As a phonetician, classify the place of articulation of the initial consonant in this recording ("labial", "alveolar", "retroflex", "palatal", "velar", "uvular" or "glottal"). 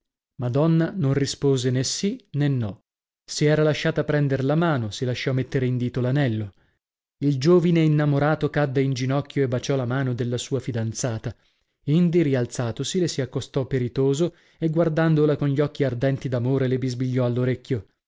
labial